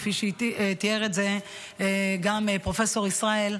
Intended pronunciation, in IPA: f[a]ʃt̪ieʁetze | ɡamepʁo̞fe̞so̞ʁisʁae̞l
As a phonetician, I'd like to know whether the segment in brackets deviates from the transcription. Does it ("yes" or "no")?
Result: yes